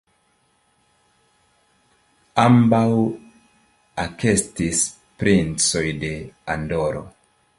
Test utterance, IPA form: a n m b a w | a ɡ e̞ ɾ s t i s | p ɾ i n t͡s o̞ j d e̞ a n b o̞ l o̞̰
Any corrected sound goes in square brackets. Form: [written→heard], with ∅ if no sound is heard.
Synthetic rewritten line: a [n→∅] m b a w | a [ɡ→k] e̞ [ɾ→∅] s t i s | p ɾ i n t͡s o̞ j d e̞ a n [b→d] o̞ [l→ɾ] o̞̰